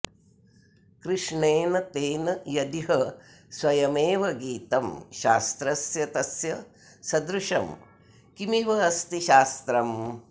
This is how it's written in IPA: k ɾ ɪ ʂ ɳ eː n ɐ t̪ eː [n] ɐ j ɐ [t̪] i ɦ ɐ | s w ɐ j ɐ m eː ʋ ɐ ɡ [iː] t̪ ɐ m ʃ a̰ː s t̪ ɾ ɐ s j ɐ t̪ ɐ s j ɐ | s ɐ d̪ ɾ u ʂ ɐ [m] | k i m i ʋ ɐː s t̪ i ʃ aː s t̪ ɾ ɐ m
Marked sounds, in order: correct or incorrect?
correct, incorrect, correct, correct

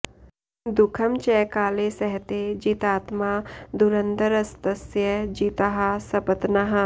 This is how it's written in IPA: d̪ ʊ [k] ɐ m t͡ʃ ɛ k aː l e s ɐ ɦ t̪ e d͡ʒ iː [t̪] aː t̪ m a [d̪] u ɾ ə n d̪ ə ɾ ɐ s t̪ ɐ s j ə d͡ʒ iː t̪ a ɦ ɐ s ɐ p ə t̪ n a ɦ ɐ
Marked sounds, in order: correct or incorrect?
incorrect, correct, correct

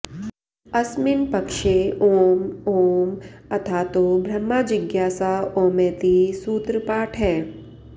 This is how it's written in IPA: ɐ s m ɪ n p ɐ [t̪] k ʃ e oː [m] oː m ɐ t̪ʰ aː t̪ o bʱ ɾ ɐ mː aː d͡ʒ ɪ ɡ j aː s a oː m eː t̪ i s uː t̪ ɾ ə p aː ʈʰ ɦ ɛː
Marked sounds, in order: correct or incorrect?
incorrect, correct

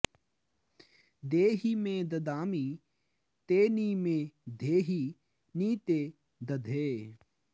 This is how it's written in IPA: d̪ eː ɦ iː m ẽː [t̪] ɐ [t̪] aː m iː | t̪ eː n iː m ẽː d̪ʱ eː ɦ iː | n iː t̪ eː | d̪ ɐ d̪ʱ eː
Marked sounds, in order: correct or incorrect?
incorrect, incorrect

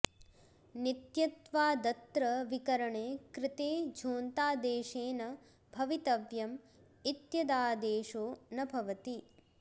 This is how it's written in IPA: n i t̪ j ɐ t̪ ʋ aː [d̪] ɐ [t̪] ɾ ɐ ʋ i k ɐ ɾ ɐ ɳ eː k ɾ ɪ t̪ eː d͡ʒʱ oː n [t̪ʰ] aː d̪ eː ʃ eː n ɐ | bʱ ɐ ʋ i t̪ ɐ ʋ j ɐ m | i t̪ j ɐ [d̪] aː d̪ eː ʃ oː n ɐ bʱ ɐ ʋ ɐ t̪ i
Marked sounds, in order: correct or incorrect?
correct, correct, incorrect, correct

